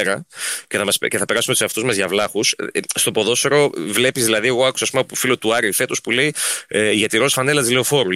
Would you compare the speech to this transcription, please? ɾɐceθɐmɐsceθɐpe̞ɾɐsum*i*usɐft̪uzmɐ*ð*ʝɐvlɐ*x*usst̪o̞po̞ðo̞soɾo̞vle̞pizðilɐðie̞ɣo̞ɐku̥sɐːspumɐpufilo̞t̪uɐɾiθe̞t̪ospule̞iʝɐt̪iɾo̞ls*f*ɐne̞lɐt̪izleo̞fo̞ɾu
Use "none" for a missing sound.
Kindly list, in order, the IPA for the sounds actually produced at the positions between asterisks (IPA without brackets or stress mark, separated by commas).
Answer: e, z, x, f